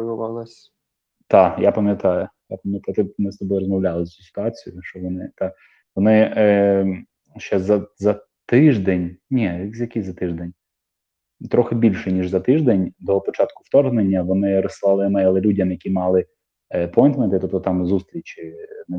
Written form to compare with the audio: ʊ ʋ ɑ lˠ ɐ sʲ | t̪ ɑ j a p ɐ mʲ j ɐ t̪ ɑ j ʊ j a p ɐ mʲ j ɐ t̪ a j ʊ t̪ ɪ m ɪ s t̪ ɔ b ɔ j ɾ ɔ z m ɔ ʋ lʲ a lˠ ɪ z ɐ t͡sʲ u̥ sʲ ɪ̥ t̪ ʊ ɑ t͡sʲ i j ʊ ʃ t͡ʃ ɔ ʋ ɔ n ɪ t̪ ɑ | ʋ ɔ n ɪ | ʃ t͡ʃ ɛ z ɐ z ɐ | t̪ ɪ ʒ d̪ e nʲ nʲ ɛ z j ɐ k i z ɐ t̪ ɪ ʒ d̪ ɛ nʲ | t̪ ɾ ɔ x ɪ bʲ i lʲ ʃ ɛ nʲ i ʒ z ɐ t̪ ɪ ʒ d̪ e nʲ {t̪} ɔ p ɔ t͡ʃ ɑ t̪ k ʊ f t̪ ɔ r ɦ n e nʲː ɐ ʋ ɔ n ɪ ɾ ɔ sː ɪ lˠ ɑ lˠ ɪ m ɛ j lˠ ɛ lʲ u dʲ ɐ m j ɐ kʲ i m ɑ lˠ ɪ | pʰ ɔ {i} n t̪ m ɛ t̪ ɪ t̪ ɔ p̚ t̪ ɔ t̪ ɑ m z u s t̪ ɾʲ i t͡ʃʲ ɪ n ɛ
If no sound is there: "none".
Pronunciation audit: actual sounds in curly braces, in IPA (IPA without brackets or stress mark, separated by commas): d̪, j